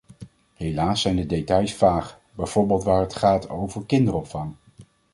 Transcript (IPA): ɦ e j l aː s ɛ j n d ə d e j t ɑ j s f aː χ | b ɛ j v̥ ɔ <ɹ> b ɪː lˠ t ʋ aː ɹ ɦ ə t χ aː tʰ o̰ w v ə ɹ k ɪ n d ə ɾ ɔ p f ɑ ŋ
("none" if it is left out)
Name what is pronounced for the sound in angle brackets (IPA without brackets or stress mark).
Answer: ɹ